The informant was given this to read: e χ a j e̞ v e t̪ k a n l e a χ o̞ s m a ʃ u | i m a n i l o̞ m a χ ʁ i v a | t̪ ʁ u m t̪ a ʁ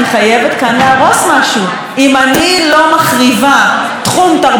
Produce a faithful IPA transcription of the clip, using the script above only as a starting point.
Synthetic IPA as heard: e χ a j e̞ v e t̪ k a n l e a ʁ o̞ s m a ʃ u | i m a n i l o̞ m a χ ʁ i v a | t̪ χ u m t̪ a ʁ